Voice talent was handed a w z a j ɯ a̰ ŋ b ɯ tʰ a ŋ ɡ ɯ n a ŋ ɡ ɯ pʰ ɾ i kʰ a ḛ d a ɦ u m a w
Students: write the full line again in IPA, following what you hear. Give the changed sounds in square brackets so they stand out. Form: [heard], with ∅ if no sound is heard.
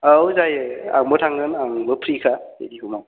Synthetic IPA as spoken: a w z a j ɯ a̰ ŋ b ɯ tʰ a ŋ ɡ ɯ n a ŋ [b] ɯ pʰ ɾ i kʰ a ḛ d [i] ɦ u m a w